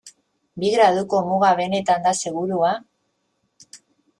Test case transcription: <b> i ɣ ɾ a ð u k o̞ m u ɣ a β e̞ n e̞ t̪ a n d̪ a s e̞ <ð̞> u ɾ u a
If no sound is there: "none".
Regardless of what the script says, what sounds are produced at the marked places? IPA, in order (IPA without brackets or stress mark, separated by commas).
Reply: b, ɣ̞